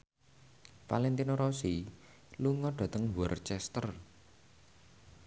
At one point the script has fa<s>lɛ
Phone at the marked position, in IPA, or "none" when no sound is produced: none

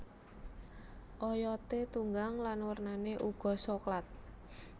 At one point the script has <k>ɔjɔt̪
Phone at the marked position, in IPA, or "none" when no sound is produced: ʔ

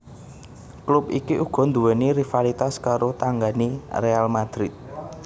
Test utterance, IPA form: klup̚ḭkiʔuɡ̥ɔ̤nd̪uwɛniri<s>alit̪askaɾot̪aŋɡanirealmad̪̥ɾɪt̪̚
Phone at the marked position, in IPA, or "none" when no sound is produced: f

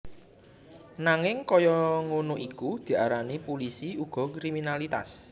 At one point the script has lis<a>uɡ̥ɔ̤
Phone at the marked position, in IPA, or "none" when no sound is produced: i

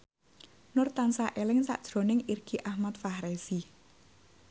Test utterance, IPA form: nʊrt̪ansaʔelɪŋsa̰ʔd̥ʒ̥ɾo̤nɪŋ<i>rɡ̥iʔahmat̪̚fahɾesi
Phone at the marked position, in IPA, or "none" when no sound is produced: i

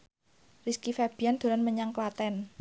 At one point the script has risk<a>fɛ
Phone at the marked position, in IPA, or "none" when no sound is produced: i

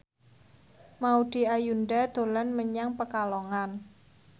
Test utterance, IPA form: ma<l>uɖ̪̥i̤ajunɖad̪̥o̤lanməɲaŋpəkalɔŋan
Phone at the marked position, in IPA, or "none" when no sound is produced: none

